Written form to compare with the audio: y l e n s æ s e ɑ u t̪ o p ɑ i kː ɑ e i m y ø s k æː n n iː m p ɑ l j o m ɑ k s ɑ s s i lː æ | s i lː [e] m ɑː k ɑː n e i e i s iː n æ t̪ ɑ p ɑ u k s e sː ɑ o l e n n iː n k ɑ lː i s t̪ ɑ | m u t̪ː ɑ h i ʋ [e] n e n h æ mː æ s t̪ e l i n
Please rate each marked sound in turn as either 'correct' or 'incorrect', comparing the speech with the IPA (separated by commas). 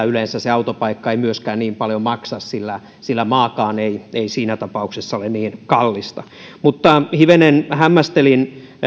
incorrect, correct